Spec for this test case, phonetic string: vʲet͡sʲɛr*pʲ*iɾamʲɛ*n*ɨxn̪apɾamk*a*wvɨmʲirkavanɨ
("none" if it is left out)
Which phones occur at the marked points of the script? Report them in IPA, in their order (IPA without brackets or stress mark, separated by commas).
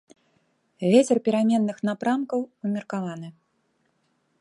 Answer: pʲ, nː, ɐ